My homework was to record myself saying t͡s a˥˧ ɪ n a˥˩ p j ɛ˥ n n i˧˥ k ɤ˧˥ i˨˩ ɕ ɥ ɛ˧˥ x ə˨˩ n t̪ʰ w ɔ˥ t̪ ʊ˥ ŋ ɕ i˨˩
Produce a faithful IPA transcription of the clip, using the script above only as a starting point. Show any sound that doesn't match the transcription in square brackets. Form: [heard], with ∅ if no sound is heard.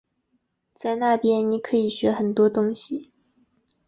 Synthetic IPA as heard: t͡s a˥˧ ɪ n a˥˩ p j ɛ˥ n n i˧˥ [kʰ] ɤ˧˥ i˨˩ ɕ ɥ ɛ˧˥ x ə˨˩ n [t̪] w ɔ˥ t̪ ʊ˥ ŋ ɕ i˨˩